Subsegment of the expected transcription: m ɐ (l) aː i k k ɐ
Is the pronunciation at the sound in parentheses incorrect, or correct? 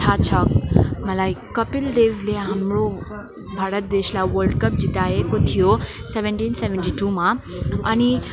correct